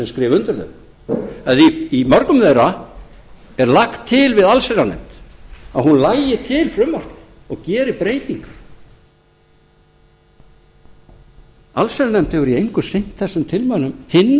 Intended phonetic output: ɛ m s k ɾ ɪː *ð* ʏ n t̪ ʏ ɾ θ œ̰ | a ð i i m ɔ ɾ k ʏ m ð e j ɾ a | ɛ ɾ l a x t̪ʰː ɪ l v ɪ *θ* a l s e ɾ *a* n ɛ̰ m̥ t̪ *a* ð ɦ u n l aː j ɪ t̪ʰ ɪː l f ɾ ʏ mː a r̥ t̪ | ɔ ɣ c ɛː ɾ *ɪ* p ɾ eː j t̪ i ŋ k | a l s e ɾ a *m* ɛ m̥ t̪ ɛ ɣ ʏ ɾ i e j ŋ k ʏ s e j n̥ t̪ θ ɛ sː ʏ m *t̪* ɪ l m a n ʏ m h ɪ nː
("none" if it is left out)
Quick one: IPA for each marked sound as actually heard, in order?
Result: v, ð, a, a, ɪ, n, t̪ʰ

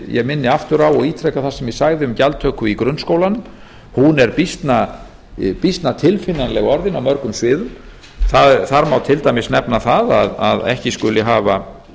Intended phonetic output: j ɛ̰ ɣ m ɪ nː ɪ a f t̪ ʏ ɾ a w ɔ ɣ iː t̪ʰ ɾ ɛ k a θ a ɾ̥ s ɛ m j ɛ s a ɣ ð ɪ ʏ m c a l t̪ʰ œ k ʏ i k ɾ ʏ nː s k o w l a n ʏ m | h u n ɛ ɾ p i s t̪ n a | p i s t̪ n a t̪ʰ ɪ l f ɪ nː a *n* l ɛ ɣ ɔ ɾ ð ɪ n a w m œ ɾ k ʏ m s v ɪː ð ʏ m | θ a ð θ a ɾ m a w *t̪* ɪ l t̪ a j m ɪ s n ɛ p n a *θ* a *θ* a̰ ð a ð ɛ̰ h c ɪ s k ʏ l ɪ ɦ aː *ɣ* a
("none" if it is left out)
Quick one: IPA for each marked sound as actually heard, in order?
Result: n, t̪ʰ, θ, ð, v

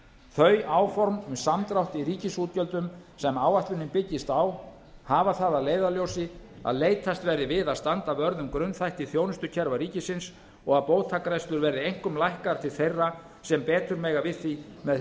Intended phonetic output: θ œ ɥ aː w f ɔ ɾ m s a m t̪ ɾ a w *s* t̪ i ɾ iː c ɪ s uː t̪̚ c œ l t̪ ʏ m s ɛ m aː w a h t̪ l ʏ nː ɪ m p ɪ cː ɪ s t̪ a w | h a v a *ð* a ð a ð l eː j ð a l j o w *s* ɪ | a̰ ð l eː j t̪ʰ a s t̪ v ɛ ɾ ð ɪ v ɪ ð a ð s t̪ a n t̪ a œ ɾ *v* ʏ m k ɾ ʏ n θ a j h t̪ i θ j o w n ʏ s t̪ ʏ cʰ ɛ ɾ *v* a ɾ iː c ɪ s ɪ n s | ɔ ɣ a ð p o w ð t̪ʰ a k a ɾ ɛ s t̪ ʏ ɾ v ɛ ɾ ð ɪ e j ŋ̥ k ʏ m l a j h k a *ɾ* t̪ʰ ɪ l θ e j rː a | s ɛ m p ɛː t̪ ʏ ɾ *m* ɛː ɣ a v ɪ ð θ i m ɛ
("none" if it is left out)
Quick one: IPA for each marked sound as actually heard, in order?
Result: h, θ, s, ð, v, ɾ, m

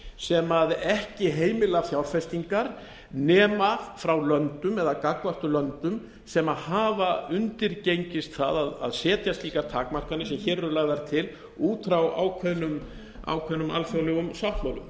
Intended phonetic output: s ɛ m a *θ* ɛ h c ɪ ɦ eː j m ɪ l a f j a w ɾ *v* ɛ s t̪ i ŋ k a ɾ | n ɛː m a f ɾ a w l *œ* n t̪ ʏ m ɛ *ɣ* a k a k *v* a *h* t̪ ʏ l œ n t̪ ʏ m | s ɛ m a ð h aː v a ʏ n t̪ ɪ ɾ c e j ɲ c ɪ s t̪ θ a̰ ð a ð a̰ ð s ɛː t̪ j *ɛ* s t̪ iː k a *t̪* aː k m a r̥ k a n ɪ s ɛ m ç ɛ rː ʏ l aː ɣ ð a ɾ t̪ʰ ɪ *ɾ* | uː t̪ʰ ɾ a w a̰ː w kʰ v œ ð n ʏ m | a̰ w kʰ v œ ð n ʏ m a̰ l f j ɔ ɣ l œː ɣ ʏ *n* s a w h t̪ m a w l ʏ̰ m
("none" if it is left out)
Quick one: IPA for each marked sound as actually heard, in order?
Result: ð, f, œ, ð, v, h, a, t̪ʰ, l, m

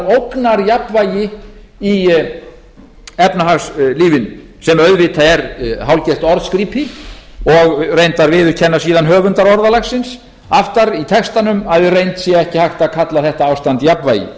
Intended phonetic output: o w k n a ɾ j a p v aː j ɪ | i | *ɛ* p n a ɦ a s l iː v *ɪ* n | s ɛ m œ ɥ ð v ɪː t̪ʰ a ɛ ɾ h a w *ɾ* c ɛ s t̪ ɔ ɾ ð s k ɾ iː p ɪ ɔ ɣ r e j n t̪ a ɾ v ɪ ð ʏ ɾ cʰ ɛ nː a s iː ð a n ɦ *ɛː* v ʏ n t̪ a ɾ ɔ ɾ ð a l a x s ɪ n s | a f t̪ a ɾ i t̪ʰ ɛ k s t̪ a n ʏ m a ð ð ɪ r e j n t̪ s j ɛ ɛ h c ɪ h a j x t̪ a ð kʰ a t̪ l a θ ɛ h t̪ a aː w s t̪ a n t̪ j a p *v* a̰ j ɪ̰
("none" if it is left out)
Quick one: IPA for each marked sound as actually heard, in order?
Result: ɛ, ɪ, l, œː, v

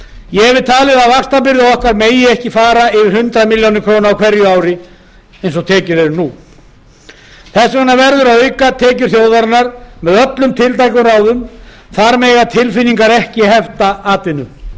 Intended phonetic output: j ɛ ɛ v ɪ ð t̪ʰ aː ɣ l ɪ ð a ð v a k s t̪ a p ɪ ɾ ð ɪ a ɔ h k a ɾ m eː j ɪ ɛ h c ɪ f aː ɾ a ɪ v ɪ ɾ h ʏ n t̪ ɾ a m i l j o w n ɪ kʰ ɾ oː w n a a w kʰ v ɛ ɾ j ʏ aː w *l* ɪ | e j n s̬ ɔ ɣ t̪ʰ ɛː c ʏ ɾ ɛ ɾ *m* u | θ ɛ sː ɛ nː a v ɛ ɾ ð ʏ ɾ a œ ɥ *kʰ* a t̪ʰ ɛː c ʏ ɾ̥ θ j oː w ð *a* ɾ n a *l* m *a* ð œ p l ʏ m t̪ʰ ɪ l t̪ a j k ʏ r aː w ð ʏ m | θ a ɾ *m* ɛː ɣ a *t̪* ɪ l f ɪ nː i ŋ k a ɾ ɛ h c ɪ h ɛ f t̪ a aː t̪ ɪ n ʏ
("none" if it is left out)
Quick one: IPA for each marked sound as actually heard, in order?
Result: ɾ, n, k, a, ɾ, ɛ, m, t̪ʰ

